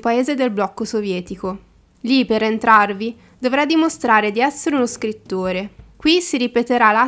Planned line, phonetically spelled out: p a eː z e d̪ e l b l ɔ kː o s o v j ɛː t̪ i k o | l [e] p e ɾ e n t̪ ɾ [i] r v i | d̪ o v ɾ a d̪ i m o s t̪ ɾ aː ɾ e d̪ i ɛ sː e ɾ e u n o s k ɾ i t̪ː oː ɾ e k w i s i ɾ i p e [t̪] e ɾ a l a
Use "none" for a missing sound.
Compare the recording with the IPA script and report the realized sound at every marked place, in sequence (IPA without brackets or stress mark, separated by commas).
i, a, t̪